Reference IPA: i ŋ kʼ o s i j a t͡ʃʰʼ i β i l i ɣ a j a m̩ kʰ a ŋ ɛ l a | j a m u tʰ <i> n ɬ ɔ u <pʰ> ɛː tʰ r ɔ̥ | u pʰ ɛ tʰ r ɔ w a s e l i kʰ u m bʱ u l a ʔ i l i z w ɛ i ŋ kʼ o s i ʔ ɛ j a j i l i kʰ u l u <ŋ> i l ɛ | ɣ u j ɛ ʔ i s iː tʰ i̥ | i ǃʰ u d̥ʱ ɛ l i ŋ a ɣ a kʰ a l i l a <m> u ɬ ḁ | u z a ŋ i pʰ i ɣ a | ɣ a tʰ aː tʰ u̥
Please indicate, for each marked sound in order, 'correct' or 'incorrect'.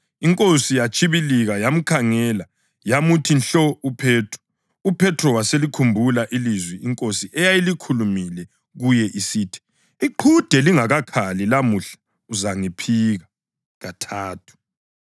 correct, correct, incorrect: m, correct

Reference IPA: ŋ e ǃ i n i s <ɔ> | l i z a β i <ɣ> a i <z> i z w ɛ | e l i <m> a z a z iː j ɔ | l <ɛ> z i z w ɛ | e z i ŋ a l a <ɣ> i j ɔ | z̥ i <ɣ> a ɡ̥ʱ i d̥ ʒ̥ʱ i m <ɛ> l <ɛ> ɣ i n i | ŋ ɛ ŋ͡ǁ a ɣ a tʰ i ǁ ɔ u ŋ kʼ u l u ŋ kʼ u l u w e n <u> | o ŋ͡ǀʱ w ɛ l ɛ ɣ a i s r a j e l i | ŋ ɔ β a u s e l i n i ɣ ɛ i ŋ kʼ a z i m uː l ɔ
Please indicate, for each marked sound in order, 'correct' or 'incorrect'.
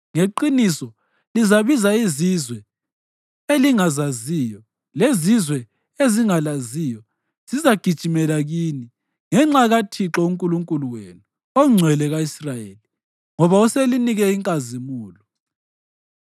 correct, incorrect: z, correct, incorrect: ŋ, incorrect: e, incorrect: z, incorrect: z, correct, incorrect: a, correct

